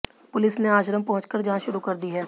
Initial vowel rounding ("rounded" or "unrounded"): rounded